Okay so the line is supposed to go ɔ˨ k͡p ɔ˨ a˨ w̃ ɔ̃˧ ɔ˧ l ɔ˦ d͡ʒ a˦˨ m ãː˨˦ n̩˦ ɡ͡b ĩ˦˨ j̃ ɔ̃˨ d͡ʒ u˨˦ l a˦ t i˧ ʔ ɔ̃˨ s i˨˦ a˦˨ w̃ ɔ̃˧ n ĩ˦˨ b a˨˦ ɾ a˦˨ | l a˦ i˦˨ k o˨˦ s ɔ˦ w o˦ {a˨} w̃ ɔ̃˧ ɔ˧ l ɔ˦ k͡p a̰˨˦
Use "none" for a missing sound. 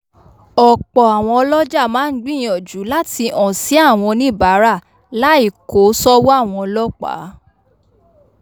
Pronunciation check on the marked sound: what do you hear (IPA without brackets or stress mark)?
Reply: a˦˨